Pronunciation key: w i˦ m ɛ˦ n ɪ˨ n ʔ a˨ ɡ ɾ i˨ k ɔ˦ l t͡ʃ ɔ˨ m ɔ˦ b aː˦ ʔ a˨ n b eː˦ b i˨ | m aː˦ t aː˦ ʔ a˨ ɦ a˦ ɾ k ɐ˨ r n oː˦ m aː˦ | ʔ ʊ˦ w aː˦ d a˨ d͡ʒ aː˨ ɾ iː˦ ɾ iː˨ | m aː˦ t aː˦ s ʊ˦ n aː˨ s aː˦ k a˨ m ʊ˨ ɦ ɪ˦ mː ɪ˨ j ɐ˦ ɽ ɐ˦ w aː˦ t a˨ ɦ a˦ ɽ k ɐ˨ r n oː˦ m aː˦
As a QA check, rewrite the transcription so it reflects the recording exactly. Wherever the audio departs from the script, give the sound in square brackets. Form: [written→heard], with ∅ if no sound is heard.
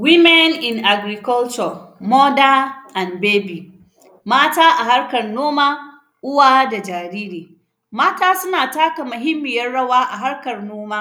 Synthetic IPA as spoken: w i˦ m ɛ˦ n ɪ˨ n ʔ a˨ ɡ ɾ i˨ k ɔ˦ l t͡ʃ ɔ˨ m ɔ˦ [b→d] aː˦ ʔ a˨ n b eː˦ b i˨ | m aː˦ t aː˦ ʔ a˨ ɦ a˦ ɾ k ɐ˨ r n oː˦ m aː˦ | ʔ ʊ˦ w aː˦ d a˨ d͡ʒ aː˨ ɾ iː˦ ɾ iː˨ | m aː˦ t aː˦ s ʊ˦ n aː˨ [s→t] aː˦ k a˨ m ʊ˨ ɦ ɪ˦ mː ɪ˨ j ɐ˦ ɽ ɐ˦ w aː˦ [t→ʔ] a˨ ɦ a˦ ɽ k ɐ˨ r n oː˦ m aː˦